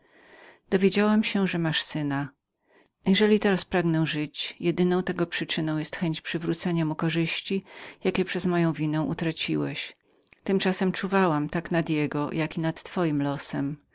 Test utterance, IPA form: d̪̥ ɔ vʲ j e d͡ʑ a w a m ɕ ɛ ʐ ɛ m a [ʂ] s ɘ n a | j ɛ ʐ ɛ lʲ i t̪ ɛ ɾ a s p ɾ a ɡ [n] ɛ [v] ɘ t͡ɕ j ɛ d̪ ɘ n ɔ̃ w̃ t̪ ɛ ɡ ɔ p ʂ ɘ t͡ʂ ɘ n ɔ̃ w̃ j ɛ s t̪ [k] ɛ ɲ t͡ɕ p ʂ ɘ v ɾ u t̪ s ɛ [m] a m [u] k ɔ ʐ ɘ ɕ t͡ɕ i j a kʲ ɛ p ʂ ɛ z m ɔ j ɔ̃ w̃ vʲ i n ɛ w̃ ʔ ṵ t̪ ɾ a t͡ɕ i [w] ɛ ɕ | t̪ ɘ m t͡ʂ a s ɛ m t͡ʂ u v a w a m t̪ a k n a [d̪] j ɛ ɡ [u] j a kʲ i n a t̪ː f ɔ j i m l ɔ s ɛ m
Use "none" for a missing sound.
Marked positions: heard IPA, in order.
ʂ, n, ʐ, x, ɲ, u, w, d̪, ɔ

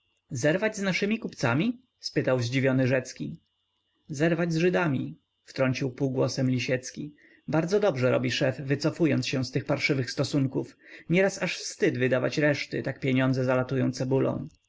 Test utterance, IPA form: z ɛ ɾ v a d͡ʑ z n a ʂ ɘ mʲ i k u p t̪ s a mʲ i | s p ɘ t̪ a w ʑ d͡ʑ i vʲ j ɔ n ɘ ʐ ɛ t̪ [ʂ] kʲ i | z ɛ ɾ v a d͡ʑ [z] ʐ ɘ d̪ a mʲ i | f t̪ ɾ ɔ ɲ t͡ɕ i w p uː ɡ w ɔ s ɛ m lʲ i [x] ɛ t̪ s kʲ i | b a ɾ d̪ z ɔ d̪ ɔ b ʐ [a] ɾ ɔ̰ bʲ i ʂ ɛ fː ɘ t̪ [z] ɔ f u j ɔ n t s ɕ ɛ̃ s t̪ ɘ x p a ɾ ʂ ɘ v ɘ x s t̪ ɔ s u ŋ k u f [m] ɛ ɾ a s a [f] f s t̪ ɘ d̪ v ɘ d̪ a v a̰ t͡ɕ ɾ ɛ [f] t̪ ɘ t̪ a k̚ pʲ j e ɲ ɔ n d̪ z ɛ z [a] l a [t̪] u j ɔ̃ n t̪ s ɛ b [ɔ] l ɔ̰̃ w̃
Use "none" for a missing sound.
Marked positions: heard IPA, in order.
s, z, ɕ, ɛ, s, ɲ, ʂ, ʂ, a, t̪, u

